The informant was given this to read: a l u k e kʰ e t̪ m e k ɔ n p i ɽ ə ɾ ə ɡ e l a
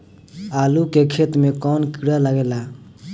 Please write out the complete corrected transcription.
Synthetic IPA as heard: a l u k e kʰ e t̪ m e k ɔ n k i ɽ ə l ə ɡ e l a

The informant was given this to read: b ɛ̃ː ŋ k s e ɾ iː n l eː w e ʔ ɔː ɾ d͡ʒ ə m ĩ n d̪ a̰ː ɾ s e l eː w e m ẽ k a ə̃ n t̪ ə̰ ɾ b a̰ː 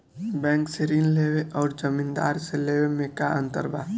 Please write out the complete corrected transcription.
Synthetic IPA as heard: b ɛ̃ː ŋ k s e ɾ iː n l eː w e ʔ ɔː ɾ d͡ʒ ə m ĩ n d̪ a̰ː ɾ s e l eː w e m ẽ k a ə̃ n t̪ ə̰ ɾ b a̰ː

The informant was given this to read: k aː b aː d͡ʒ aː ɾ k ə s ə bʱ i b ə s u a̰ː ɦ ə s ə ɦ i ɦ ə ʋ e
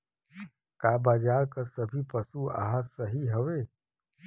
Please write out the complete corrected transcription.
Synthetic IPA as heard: k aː b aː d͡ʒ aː ɾ k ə s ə bʱ i p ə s u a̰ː ɦ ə s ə ɦ i ɦ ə ʋ e

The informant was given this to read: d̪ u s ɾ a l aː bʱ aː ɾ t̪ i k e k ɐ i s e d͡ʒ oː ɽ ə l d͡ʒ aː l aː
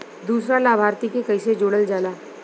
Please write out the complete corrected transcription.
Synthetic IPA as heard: d̪ uː s ɾ a l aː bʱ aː ɾ t̪ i k e k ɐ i s e d͡ʒ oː ɽ ə l d͡ʒ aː l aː

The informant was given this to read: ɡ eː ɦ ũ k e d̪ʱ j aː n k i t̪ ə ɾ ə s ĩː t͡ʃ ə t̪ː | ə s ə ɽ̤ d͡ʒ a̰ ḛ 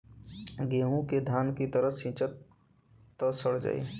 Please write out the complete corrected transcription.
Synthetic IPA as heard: ɡ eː ɦ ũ k e d̪ʱ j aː n k i t̪ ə ɾ ə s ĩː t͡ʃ ə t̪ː | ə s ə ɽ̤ d͡ʒ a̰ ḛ

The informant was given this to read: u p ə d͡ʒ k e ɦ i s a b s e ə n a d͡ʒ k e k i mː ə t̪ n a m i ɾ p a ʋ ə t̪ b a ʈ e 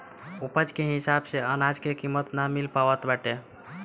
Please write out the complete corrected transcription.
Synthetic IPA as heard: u p ə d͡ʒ k e ɦ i s a b s e ə n a d͡ʒ k e k i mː ə t̪ n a m i l p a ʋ ə t̪ b a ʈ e

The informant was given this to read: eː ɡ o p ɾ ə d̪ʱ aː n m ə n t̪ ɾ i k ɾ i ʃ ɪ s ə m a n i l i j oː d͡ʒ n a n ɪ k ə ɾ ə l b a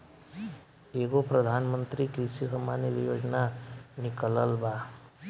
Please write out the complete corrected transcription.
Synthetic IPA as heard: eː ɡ o p ɾ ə d̪ʱ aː n m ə n t̪ ɾ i k ɾ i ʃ i s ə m a n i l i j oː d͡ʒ n a n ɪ k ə l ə l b a

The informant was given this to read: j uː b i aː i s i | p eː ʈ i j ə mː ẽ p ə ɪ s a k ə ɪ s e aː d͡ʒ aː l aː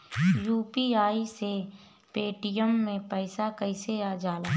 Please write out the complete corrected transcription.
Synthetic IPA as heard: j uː p i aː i s e | p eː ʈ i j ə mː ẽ p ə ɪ s a k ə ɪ s e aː d͡ʒ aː l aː

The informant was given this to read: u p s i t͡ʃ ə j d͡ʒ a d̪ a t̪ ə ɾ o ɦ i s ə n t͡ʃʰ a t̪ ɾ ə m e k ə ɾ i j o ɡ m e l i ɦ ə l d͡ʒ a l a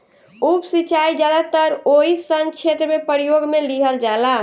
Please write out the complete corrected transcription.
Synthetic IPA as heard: u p s i t͡ʃ a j d͡ʒ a d̪ a t̪ ə ɾ o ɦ i s ə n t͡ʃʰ e t̪ ɾ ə m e p ə ɾ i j o ɡ m e l i ɦ ə l d͡ʒ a l a

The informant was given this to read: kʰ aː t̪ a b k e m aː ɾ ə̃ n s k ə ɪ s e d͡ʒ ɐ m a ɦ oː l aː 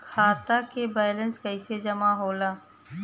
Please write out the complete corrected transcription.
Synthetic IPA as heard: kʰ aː t̪ a k e b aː l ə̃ n s k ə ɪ s e d͡ʒ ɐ m a ɦ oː l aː

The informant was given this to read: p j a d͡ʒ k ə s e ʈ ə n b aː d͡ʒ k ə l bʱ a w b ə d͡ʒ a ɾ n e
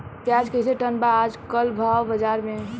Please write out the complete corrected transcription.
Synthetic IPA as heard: p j a d͡ʒ k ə s e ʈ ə n b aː d͡ʒ k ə l bʱ a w b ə d͡ʒ a ɾ m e

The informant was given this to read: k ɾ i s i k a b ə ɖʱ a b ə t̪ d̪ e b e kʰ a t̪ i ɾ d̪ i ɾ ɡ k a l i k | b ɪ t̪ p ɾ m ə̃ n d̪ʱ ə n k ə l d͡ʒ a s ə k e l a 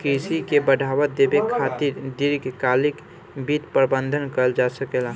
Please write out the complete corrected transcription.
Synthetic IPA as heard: k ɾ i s i k e b ə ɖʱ a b ə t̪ d̪ e b e kʰ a t̪ i ɾ d̪ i ɾ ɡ k a l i k | b i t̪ p ɾ b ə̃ n d̪ʱ ə n k ə l d͡ʒ a s ə k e l a

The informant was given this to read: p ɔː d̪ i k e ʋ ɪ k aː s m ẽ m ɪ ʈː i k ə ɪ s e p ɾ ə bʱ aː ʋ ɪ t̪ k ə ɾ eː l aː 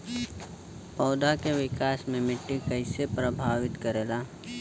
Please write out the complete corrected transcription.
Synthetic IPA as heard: p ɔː d̪ a k e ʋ ɪ k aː s m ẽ m ɪ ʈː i k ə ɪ s e p ɾ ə bʱ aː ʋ ɪ t̪ k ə ɾ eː l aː

